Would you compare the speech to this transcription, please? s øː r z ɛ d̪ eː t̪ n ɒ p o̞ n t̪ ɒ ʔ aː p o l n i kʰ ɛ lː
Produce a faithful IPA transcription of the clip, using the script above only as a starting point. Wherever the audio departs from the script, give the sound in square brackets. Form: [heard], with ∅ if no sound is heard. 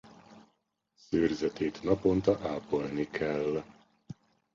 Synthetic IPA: s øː r z ɛ [t̪] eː t̪ n ɒ p o̞ n t̪ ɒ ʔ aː p o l n i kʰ ɛ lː